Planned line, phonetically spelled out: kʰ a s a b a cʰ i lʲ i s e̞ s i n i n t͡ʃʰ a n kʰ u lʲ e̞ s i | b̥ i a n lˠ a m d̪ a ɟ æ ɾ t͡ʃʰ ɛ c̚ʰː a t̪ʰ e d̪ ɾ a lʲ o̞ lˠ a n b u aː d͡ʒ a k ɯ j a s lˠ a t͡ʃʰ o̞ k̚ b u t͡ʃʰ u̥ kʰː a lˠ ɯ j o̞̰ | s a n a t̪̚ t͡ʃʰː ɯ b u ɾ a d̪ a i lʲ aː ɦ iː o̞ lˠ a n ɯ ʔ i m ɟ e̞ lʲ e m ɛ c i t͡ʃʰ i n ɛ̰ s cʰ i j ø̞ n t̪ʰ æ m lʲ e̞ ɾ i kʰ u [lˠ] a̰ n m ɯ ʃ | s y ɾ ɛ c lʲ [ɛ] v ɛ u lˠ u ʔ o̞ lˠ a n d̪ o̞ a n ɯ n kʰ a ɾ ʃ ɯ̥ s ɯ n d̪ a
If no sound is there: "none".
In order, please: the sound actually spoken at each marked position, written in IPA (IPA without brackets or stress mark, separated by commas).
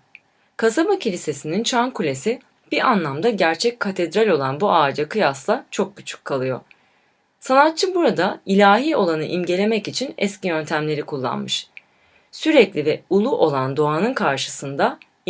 lˠː, i